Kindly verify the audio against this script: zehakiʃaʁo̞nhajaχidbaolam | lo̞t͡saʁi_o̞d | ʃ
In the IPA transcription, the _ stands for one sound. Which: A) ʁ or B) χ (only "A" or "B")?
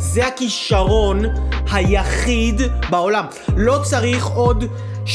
B